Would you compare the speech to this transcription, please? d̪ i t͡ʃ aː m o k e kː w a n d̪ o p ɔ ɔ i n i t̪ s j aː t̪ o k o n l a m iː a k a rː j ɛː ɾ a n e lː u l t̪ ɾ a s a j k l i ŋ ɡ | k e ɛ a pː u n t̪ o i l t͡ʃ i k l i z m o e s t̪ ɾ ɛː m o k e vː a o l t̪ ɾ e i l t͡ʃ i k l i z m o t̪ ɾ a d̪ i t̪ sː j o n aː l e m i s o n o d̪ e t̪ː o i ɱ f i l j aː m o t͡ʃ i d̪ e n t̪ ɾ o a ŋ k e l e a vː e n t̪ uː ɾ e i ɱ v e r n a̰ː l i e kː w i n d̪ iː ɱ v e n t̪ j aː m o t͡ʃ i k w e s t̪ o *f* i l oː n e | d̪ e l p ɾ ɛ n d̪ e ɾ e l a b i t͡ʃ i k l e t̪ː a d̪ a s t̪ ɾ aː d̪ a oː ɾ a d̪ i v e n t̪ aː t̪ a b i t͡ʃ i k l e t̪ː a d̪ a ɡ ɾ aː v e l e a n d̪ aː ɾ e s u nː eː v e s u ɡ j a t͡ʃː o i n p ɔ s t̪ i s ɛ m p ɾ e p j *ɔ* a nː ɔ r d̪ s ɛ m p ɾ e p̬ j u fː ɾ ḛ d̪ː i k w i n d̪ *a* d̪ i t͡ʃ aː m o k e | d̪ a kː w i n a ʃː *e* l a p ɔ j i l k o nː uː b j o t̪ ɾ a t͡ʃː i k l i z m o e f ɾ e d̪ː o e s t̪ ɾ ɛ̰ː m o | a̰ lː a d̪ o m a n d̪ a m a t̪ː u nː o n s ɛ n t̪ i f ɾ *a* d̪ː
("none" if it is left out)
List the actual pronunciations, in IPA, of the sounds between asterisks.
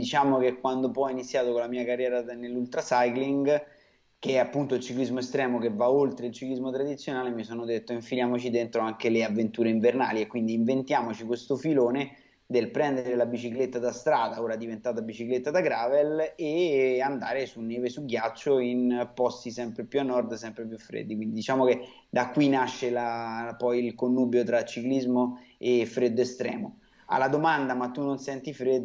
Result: f, u, i, e, e

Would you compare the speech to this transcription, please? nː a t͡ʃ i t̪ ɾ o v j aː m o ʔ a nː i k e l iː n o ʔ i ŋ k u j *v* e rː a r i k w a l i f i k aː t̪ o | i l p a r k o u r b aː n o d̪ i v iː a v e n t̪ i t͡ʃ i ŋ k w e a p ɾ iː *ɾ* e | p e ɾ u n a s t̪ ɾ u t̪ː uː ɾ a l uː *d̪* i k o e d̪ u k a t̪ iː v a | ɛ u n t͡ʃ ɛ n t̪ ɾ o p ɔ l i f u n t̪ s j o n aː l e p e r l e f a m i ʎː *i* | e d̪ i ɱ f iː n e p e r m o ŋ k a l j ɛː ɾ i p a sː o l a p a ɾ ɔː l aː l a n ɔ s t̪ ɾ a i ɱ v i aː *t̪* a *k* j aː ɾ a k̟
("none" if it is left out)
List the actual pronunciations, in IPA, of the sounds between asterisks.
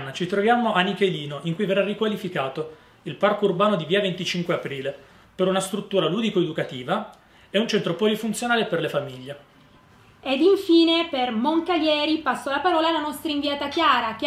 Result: v, l, d̪, e, t̪, k

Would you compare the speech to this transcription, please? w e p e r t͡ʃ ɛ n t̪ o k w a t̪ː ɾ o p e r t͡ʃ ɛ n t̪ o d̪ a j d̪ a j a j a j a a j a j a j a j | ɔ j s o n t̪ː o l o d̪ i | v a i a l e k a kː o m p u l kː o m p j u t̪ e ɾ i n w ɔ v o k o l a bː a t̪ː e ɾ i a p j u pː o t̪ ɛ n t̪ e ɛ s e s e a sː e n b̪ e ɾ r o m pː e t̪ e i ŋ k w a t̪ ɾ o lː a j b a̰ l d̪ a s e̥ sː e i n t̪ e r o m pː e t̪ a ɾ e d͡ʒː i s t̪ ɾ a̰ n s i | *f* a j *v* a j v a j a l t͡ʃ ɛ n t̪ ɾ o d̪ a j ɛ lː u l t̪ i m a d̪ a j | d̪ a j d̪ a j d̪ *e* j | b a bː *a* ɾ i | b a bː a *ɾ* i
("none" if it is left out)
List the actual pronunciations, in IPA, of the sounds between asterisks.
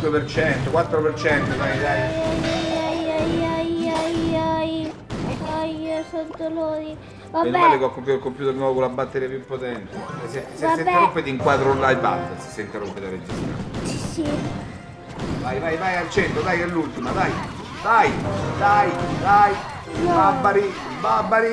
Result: v, v, a, a, ɾ

